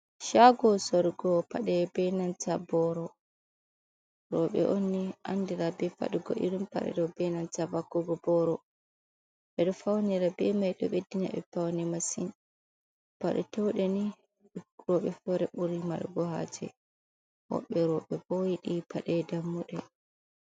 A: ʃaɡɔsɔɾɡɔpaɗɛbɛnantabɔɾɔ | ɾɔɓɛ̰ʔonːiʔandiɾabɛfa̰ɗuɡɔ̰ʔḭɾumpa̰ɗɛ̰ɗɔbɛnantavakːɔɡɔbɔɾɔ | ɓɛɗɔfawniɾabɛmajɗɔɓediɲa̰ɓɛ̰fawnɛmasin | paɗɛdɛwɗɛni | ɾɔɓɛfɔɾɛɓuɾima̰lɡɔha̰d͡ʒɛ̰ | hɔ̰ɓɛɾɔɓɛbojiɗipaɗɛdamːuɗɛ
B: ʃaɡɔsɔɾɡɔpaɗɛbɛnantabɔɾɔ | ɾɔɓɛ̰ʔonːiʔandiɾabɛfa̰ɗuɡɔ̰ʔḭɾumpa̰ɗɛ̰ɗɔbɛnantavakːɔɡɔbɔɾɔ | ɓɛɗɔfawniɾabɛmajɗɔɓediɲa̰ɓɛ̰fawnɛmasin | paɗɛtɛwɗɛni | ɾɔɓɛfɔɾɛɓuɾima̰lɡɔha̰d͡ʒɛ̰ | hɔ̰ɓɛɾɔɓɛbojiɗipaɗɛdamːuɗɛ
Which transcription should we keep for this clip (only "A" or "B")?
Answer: B